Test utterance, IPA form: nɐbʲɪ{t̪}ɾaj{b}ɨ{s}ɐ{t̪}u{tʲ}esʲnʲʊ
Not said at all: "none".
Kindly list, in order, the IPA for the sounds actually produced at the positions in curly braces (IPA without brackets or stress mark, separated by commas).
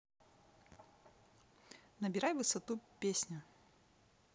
none, v, s, t̪, pʲ